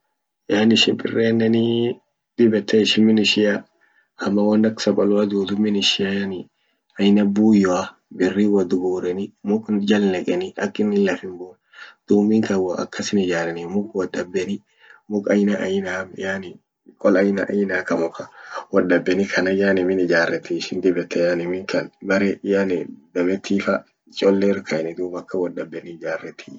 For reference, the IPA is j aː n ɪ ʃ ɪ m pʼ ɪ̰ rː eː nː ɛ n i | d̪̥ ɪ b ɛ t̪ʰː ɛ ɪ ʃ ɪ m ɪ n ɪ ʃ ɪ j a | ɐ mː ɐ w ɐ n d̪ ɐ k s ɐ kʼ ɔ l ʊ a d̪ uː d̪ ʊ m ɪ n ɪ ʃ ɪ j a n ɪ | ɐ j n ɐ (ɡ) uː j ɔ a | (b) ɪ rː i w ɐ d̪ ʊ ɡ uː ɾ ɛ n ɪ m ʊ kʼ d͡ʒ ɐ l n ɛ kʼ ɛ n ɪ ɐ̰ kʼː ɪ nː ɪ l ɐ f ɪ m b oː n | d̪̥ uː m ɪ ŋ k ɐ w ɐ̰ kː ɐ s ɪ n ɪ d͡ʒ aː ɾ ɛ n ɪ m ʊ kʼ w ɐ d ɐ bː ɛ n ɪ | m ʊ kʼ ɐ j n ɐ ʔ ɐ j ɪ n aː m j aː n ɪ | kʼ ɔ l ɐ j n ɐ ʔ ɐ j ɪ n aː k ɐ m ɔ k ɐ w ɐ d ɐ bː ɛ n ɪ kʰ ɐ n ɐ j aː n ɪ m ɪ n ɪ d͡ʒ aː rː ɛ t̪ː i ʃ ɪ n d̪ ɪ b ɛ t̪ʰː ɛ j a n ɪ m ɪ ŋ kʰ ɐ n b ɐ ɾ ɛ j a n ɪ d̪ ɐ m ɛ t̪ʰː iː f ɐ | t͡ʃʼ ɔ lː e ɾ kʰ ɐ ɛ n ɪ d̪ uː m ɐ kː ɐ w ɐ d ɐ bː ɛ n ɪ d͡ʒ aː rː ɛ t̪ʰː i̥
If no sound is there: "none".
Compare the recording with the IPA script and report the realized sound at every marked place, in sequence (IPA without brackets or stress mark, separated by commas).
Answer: b, b